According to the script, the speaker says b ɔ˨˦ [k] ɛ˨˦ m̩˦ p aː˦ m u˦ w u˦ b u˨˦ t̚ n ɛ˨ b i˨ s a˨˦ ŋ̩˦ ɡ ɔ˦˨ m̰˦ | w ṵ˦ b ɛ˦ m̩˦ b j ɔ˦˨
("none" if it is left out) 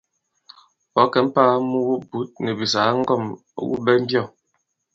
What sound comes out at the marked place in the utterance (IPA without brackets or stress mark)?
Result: k